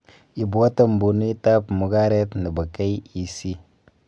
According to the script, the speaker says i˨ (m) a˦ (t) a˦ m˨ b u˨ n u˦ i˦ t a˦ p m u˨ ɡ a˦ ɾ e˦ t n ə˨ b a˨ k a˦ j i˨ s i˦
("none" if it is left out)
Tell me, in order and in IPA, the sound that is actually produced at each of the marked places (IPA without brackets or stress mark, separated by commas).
b, t